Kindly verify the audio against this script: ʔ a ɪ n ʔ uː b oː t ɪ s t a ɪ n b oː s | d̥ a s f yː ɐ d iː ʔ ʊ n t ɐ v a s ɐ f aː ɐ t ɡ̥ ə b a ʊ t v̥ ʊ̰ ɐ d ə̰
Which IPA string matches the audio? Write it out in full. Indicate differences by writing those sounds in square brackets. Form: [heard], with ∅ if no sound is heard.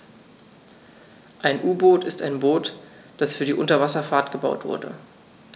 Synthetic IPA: ʔ a ɪ n ʔ uː b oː t ɪ s t a ɪ n b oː [t] | d̥ a s f yː ɐ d iː ʔ ʊ n t ɐ v a s ɐ f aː ɐ t ɡ̥ ə b a ʊ t v̥ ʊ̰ ɐ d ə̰